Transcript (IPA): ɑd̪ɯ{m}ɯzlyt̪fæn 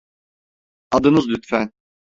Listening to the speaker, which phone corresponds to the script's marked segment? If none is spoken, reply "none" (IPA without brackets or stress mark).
n